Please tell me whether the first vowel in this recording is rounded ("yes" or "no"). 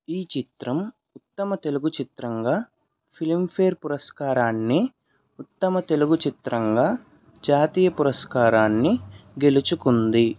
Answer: no